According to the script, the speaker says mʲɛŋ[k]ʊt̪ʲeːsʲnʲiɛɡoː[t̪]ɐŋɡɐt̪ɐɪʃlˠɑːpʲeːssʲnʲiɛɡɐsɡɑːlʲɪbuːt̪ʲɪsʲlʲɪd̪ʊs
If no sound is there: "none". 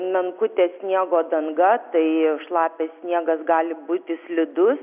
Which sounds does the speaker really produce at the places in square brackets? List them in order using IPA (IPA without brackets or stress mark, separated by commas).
k, d̪